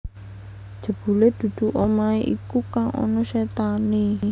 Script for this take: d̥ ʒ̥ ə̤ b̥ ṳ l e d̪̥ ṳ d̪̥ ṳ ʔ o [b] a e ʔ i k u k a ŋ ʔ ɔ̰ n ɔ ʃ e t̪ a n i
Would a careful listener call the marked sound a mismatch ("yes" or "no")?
yes